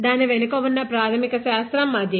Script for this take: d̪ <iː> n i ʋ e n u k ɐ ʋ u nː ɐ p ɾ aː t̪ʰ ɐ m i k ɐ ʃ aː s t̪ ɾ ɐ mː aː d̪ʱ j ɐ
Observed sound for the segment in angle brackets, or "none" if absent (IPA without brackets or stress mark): aː